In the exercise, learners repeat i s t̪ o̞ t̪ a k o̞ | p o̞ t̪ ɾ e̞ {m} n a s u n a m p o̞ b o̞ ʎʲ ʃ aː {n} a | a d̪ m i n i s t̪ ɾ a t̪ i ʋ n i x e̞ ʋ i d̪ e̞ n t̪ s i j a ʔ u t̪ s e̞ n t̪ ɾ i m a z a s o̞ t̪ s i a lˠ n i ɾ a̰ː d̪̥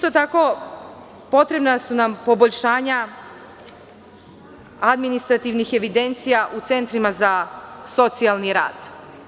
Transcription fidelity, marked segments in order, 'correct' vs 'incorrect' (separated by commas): incorrect, incorrect